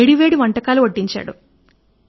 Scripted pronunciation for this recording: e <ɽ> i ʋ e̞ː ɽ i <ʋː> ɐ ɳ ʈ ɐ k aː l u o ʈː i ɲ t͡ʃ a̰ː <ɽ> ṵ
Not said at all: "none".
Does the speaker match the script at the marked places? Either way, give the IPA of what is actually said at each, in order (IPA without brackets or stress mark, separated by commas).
ɽ, ʋ, ɽ